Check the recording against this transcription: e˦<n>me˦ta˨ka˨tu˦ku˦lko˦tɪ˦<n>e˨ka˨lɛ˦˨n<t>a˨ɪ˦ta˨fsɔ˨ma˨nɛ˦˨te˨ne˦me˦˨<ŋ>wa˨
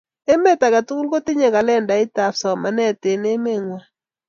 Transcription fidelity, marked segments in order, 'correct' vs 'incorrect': incorrect: none, incorrect: ɲ, incorrect: d, correct

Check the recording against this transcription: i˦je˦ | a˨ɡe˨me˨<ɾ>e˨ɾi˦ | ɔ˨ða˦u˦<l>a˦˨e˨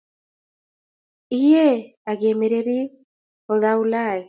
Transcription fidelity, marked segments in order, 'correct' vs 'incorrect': correct, correct

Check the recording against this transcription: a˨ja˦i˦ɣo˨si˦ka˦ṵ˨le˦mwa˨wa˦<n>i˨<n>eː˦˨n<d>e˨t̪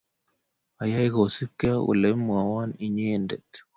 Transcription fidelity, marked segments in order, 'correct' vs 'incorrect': correct, incorrect: ɲ, correct

